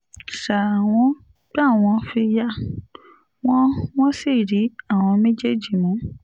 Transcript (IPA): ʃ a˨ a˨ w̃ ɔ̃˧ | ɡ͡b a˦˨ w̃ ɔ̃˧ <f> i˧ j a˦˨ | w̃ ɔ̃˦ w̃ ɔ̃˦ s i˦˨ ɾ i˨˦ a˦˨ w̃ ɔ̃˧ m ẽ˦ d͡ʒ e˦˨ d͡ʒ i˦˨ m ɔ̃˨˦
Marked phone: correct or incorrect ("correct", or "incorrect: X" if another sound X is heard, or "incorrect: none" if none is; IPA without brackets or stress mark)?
correct